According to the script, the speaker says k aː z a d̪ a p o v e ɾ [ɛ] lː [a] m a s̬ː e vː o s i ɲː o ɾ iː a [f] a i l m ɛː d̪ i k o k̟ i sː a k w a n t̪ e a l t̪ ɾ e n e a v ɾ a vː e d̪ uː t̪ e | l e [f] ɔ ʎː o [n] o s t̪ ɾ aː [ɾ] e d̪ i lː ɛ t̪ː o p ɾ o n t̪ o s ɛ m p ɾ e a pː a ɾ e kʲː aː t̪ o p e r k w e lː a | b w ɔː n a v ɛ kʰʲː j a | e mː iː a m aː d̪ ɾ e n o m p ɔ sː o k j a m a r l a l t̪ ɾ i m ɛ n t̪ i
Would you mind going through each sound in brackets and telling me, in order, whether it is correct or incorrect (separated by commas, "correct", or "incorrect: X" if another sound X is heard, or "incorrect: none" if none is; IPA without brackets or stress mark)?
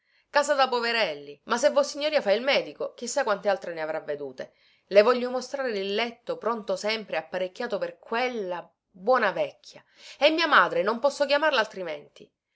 correct, incorrect: i, correct, incorrect: v, incorrect: m, correct